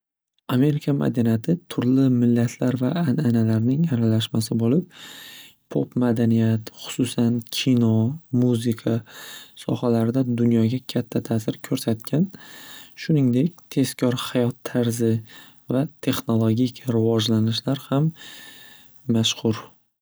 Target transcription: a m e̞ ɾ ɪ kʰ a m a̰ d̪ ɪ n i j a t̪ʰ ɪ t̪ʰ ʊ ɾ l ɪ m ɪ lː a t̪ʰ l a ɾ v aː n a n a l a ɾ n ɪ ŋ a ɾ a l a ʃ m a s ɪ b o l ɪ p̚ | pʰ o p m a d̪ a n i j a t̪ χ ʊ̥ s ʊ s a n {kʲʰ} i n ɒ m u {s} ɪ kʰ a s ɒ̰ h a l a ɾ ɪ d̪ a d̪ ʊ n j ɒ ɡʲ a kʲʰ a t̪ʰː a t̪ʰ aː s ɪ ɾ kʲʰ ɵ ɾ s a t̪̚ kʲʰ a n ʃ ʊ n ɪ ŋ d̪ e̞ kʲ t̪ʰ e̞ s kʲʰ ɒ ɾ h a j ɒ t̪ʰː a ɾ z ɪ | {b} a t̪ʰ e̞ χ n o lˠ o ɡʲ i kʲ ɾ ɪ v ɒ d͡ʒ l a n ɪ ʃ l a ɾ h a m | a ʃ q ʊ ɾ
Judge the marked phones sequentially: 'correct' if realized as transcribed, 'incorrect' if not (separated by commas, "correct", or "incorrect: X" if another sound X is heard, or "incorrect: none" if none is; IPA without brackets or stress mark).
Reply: correct, incorrect: z, incorrect: v